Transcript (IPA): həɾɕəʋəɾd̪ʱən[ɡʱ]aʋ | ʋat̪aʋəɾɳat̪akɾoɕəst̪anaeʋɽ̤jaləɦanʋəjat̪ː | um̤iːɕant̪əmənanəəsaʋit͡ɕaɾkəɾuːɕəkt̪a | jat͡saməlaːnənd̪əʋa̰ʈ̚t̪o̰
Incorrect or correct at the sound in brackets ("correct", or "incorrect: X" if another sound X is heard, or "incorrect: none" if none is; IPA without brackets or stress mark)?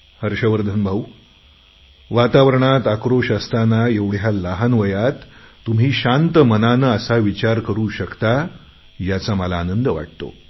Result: incorrect: bʱ